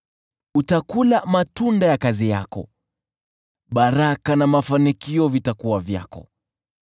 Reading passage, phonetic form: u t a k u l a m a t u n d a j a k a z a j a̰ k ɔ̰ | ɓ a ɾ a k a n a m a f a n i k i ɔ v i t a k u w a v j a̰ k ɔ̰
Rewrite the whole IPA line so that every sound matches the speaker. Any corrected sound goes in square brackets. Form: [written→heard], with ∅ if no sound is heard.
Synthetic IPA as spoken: u t a k u l a m a t u n d a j a k a z [a→i] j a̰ k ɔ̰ | ɓ a ɾ a k a n a m a f a n i k i ɔ v i t a k u w a v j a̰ k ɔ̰